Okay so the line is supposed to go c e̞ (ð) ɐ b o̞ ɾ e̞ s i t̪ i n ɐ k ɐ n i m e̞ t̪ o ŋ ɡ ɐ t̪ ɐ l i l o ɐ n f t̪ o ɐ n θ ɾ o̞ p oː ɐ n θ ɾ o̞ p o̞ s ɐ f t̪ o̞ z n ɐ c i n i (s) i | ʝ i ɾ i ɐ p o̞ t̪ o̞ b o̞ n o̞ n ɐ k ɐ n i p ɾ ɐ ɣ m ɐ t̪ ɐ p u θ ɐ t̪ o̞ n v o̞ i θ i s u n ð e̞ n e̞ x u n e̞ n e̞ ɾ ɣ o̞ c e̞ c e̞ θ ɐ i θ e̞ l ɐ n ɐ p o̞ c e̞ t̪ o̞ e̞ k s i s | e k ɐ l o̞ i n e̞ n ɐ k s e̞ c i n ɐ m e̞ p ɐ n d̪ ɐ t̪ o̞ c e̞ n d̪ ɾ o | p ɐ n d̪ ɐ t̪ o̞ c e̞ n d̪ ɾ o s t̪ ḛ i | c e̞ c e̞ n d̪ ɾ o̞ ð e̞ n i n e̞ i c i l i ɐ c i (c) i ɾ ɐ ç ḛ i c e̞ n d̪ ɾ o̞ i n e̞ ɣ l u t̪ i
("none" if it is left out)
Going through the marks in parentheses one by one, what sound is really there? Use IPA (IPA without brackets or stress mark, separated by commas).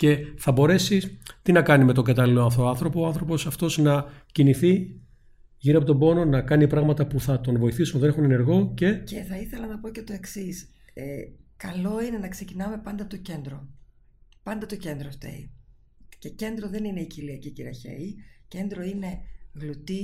θ, θ, c